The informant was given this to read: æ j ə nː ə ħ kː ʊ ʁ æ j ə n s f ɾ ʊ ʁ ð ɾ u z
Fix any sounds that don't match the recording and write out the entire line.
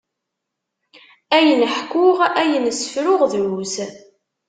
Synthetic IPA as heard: æ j ə n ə ħ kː ʊ ʁ æ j ə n s f ɾ ʊ ʁ ð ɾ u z

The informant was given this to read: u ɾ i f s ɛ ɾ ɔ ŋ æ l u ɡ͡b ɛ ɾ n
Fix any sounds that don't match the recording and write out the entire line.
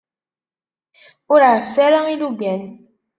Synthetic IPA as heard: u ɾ a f s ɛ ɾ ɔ ŋ i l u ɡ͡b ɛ n

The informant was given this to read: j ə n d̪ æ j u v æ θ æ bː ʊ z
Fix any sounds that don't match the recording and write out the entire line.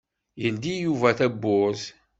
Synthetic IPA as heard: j ə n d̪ i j u v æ θ æ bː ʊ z

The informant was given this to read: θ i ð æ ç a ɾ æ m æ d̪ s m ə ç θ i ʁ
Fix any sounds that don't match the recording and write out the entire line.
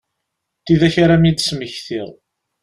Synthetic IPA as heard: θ i ð æ ç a ɾ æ m i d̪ s m ə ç θ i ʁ

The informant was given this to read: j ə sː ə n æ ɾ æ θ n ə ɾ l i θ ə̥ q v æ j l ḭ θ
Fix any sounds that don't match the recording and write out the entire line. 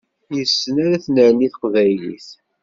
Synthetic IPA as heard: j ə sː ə n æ ɾ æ θ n ə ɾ l i θ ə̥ q v æ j l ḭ θ

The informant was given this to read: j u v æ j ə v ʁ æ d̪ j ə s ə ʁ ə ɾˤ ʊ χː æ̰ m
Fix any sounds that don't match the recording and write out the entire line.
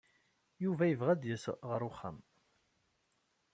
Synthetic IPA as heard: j u v æ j ə v ʁ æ d̪ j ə s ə ʁ ə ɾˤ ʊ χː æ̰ m

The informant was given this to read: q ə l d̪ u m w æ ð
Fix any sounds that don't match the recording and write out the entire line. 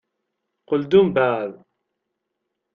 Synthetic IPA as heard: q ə l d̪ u m b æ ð

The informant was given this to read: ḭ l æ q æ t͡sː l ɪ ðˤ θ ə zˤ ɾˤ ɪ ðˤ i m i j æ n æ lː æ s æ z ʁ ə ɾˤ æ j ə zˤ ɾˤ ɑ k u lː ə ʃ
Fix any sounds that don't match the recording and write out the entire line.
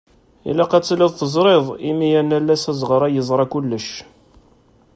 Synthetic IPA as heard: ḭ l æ q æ t͡sː l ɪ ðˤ θ ə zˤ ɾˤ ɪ ðˤ i m i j æ n æ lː æ s æ z ʁ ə ɾˤ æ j ə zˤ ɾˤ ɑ k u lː ə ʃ

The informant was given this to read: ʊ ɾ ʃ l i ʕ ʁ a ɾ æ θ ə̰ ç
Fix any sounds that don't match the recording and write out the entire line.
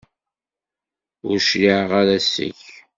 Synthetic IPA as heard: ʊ ɾ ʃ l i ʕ ʁ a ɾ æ s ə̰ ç

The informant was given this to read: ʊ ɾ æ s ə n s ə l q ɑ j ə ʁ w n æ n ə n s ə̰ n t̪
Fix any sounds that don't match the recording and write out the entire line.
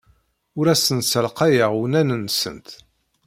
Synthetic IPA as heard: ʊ ɾ æ s ə n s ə l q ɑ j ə ʁ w n æ n ə n s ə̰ n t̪

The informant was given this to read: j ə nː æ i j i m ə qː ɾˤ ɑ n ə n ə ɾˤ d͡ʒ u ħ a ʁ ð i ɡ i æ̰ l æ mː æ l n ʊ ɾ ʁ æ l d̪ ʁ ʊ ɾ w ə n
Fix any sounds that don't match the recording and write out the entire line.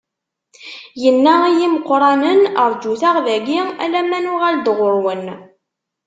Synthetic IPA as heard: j ə nː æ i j i m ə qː ɾˤ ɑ n ə n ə ɾˤ d͡ʒ u θ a ʁ ð æ ɡ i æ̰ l æ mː æ n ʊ ʁ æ l d̪ ʁ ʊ ɾ w ə n

